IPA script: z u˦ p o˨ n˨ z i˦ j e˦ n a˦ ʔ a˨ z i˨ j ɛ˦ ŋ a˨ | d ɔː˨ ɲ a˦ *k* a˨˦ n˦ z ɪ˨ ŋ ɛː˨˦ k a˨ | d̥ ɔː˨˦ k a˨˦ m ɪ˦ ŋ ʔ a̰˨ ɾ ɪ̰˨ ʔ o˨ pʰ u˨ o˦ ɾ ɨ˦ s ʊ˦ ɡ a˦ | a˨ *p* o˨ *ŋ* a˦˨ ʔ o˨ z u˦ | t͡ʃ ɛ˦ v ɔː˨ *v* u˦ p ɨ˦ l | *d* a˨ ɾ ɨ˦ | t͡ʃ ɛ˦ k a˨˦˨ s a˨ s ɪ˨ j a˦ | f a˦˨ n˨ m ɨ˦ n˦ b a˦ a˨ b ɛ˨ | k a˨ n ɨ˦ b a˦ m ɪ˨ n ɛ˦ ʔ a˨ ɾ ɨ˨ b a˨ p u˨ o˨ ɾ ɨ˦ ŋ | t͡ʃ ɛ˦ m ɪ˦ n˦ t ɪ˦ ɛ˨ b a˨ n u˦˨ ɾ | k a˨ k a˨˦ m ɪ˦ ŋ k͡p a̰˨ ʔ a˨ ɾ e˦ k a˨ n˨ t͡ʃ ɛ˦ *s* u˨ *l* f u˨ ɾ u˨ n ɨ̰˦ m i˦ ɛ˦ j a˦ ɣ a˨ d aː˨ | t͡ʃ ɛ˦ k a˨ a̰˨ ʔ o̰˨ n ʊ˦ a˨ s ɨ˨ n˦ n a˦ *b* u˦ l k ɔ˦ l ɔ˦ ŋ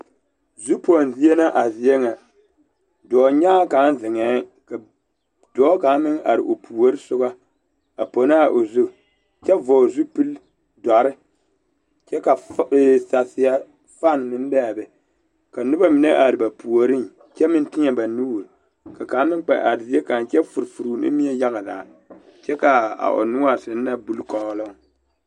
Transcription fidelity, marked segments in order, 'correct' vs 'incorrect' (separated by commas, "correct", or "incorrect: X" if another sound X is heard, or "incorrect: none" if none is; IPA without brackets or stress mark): correct, correct, incorrect: n, incorrect: z, correct, incorrect: f, incorrect: ɾ, correct